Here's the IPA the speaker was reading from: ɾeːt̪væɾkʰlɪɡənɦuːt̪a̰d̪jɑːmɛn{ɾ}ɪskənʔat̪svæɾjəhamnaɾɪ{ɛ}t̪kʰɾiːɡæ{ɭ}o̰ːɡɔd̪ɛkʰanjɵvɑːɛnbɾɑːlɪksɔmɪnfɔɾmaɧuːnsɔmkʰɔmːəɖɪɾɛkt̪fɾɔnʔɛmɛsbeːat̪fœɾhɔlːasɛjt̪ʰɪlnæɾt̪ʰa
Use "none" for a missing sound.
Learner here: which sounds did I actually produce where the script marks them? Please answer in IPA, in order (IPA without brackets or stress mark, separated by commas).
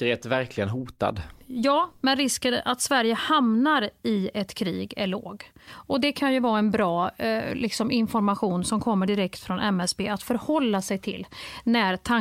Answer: ɾ, ɛ, ɭ